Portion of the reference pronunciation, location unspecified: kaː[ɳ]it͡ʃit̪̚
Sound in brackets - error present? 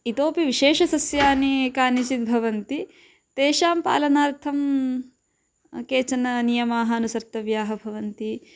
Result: yes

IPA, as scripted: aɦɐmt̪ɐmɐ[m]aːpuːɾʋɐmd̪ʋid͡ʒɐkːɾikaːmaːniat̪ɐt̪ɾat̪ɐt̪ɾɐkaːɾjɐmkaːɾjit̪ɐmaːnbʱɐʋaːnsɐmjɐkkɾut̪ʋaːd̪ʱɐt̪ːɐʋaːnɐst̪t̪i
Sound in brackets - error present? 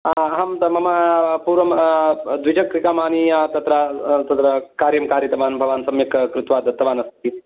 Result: no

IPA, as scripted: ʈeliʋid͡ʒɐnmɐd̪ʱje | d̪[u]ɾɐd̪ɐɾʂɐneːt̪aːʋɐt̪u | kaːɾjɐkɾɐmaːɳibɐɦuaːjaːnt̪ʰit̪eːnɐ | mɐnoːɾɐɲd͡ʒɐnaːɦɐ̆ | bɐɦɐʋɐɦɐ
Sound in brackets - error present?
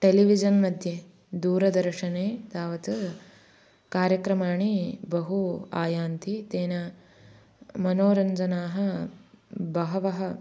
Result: yes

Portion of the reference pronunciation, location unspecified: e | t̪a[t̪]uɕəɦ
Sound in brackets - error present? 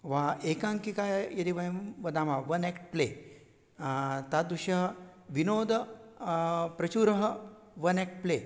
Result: yes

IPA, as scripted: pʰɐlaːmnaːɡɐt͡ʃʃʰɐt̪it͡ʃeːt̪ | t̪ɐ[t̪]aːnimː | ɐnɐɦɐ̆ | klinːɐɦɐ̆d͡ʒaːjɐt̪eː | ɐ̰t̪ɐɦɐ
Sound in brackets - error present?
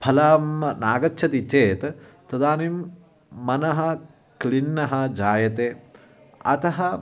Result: yes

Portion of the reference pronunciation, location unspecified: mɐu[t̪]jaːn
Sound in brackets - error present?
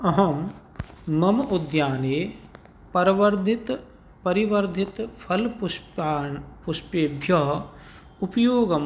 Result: yes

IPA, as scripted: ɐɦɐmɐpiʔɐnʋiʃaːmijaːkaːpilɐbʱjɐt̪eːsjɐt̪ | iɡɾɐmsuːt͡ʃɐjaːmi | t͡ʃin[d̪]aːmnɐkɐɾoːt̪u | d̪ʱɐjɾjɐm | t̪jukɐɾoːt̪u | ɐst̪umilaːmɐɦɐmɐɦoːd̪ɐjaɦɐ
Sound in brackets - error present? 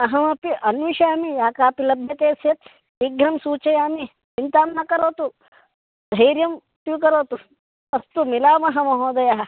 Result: yes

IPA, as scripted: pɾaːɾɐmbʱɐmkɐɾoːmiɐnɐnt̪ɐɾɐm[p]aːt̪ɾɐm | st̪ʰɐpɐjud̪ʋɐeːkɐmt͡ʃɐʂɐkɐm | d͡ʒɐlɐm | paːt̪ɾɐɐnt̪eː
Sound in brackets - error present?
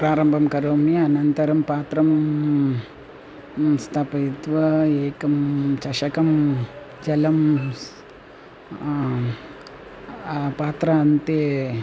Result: no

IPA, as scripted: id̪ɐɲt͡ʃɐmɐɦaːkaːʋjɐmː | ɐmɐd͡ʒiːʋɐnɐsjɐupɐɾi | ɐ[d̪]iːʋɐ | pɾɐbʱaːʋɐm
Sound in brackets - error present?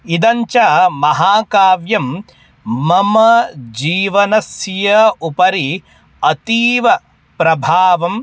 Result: yes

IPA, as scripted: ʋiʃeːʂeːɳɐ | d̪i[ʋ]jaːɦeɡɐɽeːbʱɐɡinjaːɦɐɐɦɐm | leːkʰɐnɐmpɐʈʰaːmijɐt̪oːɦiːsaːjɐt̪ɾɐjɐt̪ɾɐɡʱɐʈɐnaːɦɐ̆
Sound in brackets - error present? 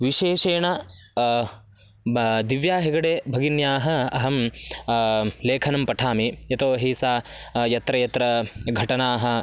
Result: no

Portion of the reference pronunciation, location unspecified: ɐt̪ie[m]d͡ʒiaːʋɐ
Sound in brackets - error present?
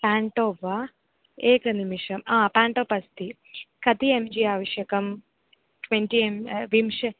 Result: no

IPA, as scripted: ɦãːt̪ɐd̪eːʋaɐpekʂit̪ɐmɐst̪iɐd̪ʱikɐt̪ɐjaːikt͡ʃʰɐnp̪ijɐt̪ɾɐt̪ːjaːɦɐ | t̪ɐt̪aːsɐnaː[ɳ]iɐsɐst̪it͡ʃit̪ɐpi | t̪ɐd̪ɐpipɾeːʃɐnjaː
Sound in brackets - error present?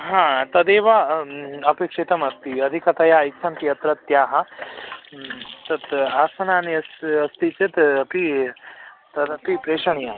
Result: yes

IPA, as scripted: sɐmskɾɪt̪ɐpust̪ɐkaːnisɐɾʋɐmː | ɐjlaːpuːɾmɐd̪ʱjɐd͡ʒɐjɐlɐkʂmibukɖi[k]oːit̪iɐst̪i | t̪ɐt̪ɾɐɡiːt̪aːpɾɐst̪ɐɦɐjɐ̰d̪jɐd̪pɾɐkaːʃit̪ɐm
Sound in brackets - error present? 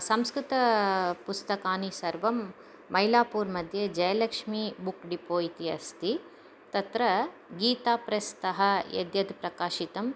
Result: yes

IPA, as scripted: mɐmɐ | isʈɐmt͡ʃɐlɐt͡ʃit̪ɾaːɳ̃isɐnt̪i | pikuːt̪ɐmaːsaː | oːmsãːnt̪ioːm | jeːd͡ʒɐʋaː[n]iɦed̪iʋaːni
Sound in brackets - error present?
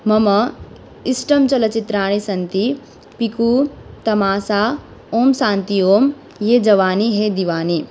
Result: no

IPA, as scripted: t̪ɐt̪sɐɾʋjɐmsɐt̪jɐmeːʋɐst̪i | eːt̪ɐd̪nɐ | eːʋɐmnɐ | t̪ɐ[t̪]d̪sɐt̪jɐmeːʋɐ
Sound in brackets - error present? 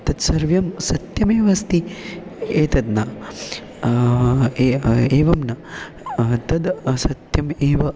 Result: yes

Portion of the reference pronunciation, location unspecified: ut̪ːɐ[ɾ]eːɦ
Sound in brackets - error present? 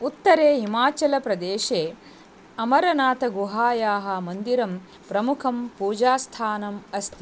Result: no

